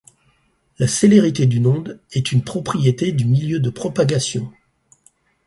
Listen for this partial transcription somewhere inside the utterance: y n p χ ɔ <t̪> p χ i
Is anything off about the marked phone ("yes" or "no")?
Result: yes